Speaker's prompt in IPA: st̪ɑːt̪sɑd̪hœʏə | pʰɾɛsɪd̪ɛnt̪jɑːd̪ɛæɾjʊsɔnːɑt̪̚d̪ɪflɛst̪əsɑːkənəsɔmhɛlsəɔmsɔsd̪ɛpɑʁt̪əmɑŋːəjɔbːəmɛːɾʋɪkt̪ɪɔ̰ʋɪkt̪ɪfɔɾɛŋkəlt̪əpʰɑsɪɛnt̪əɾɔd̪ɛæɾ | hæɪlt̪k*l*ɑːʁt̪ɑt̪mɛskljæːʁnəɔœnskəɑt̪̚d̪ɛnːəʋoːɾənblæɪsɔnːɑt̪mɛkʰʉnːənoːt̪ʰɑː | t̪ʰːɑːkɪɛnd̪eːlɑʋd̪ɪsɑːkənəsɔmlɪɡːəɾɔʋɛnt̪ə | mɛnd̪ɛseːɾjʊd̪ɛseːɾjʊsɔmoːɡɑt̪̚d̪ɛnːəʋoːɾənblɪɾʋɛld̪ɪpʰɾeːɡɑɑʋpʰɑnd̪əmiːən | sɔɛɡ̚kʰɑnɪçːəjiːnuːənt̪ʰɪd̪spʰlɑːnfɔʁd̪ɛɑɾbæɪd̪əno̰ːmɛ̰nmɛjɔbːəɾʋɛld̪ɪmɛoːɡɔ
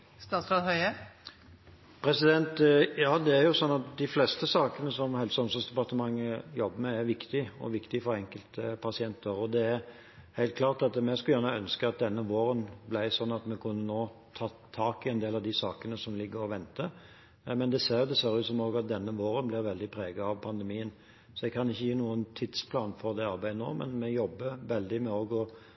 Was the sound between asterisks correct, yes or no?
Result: yes